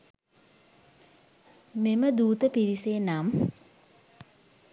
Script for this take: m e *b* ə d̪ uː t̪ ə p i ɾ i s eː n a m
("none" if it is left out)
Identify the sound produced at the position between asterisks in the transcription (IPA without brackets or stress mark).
m